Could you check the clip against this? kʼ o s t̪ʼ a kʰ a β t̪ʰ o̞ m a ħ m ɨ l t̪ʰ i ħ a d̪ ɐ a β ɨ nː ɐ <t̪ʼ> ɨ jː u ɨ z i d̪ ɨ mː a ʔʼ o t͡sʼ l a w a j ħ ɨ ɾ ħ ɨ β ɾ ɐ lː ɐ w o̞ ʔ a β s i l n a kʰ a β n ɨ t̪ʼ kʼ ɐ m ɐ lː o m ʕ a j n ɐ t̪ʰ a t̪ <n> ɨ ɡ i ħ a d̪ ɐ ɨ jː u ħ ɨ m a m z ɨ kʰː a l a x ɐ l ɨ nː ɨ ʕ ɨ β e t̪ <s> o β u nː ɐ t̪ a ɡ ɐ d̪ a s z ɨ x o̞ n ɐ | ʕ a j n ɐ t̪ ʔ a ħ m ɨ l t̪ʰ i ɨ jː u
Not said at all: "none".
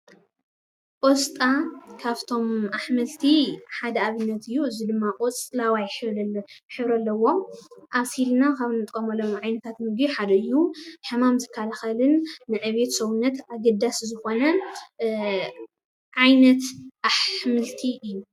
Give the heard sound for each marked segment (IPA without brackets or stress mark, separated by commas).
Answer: t̪, m, s